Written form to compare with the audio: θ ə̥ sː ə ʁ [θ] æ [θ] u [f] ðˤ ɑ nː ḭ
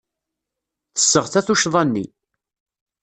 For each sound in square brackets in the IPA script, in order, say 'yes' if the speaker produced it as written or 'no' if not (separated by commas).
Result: yes, yes, no